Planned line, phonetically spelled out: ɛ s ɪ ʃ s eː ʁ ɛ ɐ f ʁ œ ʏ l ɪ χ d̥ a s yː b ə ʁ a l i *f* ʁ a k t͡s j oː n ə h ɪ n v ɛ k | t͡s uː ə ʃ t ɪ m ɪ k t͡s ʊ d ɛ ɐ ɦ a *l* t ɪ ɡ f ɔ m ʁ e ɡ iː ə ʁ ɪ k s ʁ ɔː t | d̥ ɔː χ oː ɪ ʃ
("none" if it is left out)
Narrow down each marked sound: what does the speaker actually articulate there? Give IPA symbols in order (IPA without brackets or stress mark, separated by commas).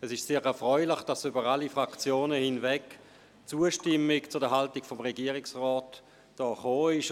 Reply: f, l